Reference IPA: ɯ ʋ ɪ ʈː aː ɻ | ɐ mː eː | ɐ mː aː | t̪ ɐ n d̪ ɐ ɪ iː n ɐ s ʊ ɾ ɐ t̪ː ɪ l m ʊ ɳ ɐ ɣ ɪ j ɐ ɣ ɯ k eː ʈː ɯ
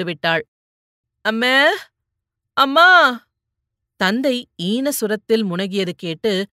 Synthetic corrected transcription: ɯ ʋ ɪ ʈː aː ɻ | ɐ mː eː | ɐ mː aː | t̪ ɐ n d̪ ɐ ɪ iː n ɐ s ʊ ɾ ɐ t̪ː ɪ l m ʊ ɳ ɐ ɣ ɪ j ɐ ð ɯ k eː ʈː ɯ